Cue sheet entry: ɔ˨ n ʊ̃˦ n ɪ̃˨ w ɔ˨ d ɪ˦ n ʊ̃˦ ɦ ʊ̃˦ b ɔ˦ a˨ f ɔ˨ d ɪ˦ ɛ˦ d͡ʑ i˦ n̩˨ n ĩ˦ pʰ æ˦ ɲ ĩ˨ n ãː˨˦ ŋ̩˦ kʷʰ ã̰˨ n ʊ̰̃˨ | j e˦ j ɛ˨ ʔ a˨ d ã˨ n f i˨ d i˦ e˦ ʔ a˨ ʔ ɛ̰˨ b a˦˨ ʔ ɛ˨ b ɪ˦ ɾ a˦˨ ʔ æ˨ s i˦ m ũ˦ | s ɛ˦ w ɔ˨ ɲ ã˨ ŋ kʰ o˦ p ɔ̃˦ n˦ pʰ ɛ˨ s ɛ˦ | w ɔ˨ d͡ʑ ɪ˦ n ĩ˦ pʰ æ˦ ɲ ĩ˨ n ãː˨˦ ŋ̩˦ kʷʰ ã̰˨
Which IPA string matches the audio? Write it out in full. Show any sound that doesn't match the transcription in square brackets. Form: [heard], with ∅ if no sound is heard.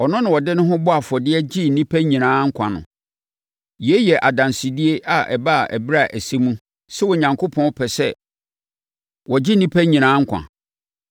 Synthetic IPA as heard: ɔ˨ n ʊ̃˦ n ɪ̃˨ w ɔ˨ d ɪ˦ n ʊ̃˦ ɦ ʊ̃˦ b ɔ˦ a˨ f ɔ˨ d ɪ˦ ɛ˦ d͡ʑ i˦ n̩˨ n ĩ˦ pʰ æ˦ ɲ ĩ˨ n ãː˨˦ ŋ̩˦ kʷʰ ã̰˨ n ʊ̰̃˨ | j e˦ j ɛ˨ ʔ a˨ d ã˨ n [s] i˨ d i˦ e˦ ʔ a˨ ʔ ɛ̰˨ b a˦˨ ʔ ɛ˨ b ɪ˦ ɾ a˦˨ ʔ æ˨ s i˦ m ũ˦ | s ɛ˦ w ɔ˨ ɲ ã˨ ŋ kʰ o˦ [pʰ] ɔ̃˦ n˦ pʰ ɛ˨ s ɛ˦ | w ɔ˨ d͡ʑ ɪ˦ n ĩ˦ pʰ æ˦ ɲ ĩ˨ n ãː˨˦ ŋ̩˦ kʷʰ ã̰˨